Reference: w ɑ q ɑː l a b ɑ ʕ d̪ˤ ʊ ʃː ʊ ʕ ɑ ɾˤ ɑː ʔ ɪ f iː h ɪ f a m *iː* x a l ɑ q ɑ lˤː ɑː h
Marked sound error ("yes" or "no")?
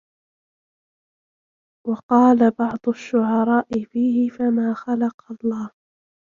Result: yes